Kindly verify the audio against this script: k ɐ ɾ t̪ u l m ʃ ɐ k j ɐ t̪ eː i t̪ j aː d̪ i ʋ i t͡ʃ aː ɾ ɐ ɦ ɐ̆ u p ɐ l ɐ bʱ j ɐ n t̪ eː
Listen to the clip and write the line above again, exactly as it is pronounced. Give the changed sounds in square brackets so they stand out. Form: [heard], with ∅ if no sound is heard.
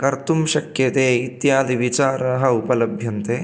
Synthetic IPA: k ɐ ɾ t̪ u [∅] m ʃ ɐ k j ɐ t̪ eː i t̪ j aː d̪ i ʋ i t͡ʃ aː ɾ ɐ ɦ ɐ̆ u p ɐ l ɐ bʱ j ɐ n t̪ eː